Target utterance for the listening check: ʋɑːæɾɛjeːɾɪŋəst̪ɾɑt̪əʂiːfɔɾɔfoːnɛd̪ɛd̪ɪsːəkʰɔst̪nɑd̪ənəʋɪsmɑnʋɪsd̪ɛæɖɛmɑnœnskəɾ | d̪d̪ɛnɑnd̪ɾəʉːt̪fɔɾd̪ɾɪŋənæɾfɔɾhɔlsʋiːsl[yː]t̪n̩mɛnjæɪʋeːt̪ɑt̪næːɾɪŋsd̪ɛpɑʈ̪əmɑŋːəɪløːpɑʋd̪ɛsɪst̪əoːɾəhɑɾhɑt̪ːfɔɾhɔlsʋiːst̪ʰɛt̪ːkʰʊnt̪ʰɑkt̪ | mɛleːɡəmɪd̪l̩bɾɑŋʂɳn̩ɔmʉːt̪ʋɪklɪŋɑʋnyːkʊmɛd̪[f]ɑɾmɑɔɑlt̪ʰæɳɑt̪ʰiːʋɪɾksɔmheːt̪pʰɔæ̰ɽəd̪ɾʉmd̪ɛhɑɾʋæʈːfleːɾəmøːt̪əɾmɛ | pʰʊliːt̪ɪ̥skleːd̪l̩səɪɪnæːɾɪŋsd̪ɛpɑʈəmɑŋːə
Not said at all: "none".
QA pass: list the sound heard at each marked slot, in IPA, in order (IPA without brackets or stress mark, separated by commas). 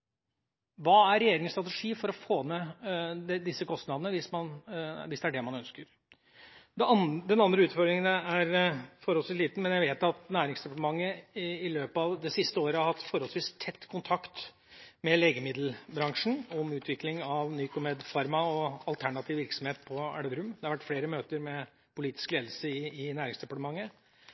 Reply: iː, f